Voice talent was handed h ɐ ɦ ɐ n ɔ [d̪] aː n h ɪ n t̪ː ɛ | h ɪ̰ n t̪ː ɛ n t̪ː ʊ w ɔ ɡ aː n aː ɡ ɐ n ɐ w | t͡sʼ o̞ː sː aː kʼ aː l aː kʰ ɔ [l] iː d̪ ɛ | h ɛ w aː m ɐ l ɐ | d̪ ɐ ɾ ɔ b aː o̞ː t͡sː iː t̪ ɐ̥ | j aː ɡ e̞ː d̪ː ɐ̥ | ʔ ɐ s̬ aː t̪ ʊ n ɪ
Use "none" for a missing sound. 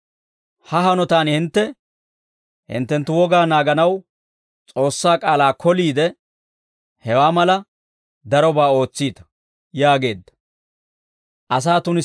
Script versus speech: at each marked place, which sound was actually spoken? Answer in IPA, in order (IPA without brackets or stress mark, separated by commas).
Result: t̪, l